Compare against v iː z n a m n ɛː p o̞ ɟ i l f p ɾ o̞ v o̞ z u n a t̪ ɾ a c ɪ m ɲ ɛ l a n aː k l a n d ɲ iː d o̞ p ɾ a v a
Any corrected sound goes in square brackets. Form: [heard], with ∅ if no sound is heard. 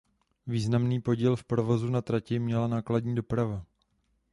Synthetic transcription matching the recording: v iː z n a m n [iː] p o̞ ɟ i l f p ɾ o̞ v o̞ z u n a t̪ ɾ a c ɪ m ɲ ɛ l a n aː k l a [∅] d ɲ iː d o̞ p ɾ a v a